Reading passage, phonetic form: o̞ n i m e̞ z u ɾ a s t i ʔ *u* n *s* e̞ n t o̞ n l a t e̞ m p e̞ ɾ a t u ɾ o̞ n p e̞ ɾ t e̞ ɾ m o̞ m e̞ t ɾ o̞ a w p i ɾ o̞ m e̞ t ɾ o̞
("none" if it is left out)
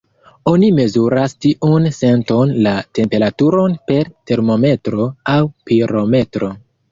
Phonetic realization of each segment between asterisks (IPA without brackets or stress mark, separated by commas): u, s